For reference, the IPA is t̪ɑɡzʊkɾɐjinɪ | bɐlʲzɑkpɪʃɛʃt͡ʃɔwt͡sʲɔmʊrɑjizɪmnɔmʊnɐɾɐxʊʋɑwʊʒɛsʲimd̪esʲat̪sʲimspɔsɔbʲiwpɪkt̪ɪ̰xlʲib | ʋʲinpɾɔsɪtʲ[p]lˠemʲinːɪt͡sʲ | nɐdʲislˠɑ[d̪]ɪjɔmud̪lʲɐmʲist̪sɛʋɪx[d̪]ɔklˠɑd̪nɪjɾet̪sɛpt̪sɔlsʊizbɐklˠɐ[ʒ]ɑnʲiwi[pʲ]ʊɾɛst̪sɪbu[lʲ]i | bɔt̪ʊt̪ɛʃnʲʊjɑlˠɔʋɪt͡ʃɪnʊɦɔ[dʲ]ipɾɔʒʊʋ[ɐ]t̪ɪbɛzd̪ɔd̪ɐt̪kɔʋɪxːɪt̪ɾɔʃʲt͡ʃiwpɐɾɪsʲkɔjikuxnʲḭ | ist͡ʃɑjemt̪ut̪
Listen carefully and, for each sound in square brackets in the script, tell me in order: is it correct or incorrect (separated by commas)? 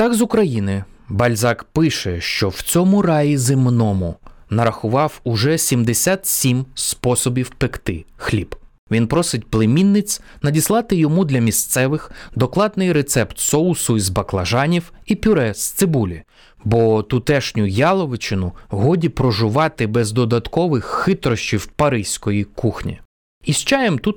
correct, incorrect, correct, correct, correct, correct, correct, incorrect